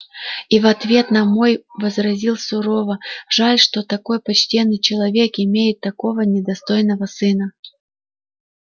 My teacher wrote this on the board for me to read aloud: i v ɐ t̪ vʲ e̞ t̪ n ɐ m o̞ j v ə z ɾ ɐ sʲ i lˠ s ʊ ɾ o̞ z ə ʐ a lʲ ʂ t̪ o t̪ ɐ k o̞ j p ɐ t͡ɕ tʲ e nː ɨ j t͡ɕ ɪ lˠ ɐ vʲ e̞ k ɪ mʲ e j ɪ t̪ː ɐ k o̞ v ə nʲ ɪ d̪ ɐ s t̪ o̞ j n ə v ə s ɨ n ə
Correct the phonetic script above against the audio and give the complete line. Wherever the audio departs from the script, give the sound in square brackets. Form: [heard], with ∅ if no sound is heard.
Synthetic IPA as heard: i v ɐ t̪ vʲ e̞ t̪ n ɐ m o̞ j v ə z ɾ ɐ [zʲ] i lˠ s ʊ ɾ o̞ [v] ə ʐ a lʲ ʂ t̪ o t̪ ɐ k o̞ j p ɐ t͡ɕ tʲ e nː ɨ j t͡ɕ ɪ lˠ ɐ vʲ e̞ k ɪ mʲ e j ɪ t̪ː ɐ k o̞ v ə nʲ ɪ d̪ ɐ s t̪ o̞ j n ə v ə s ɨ n ə